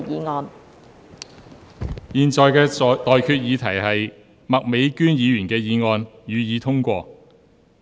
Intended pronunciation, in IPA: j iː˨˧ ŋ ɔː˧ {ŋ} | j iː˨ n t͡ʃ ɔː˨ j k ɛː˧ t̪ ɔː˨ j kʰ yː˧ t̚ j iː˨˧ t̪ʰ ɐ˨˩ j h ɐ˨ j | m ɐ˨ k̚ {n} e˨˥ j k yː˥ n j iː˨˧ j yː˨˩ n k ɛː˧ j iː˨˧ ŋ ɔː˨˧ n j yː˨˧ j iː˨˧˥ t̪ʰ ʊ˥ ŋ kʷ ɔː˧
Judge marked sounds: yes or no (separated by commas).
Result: no, no